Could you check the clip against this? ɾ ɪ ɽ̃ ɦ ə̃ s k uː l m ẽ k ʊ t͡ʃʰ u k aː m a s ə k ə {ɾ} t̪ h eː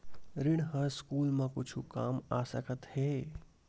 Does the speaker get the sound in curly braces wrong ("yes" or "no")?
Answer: yes